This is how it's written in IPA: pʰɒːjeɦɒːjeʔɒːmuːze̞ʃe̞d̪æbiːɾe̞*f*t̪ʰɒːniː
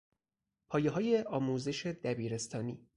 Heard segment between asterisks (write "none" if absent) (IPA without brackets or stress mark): s